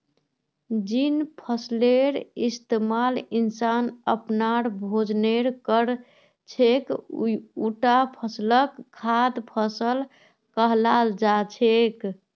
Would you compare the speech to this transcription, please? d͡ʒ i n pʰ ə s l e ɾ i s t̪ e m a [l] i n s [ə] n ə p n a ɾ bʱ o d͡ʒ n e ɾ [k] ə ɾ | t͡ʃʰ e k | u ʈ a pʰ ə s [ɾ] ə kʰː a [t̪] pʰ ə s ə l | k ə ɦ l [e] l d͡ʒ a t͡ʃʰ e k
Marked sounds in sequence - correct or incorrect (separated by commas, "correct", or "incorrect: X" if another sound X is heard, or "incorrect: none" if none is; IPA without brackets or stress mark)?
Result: correct, incorrect: a, correct, incorrect: l, incorrect: d̪, incorrect: a